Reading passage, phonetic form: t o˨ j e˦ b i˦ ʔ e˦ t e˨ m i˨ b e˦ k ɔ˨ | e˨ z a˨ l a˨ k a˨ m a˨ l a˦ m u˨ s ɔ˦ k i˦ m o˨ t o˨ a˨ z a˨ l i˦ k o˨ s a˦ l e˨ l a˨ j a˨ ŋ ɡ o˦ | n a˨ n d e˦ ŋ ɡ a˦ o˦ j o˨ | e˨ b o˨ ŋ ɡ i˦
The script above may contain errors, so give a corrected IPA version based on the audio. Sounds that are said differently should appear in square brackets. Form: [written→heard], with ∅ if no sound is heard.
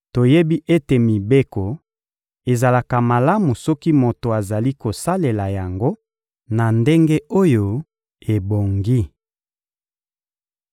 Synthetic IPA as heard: t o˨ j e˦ b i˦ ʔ e˦ t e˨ m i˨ b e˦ k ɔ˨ | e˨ z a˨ l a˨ k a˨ m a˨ l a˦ m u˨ s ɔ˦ k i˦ m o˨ t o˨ a˨ z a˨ l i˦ k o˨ s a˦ l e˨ l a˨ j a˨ ŋ ɡ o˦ | n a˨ n d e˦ ŋ ɡ [a˦→e˦] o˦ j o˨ | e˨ b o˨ ŋ ɡ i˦